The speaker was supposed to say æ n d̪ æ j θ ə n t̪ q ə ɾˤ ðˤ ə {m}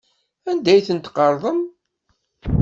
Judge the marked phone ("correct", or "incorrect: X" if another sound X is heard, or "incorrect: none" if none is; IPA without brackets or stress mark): correct